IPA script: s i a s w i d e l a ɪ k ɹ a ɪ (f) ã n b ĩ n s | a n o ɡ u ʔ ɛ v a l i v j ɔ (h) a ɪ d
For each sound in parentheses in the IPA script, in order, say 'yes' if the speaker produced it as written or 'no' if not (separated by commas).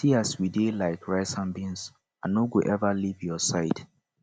no, no